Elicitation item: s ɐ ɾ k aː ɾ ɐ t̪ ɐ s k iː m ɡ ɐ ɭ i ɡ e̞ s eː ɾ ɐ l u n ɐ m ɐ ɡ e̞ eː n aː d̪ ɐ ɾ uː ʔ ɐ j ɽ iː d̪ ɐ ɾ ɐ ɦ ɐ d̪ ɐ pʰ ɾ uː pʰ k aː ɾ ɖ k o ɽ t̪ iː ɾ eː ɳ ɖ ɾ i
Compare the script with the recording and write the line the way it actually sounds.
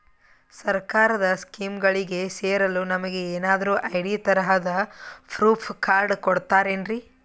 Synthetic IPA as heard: s ɐ ɾ k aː ɾ ɐ d̪ ɐ s k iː m ɡ ɐ ɭ i ɡ e̞ s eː ɾ ɐ l u n ɐ m ɐ ɡ e̞ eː n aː d̪ ɐ ɾ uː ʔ ɐ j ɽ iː t̪ ɐ ɾ ɐ ɦ ɐ d̪ ɐ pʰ ɾ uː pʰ k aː ɾ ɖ k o ɽ t̪ aː ɾ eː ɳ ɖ ɾ i